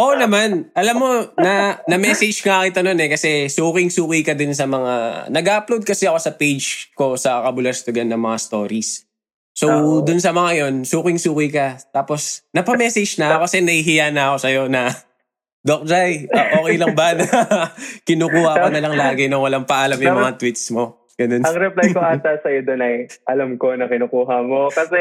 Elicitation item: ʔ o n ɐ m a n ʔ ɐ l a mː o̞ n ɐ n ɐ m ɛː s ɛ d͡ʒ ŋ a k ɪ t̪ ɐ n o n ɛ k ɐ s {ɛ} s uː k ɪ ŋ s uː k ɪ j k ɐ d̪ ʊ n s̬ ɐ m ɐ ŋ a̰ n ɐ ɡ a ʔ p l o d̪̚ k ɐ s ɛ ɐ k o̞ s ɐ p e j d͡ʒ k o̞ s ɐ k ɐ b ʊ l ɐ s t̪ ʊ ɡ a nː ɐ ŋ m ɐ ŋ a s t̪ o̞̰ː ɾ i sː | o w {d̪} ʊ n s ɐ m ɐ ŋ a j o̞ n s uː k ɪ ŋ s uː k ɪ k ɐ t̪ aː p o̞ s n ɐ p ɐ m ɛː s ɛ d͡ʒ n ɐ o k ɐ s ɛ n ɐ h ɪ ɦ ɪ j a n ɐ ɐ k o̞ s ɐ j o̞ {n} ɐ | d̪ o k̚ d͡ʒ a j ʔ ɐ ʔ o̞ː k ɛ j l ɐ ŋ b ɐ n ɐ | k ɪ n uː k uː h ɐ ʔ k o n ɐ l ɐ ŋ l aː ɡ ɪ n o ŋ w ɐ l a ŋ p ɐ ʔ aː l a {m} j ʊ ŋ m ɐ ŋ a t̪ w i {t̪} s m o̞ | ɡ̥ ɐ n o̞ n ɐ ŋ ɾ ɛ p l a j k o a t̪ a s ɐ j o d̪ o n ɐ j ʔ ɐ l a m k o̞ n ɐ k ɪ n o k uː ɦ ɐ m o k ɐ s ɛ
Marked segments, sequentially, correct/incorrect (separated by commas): correct, correct, correct, correct, correct